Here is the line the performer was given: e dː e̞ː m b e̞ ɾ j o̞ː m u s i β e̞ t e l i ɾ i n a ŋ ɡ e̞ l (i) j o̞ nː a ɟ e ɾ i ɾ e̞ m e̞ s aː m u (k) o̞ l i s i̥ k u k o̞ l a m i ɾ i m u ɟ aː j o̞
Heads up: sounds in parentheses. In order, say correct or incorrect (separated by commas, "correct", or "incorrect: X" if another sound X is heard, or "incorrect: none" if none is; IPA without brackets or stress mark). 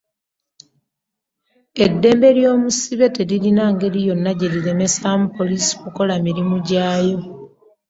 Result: correct, incorrect: p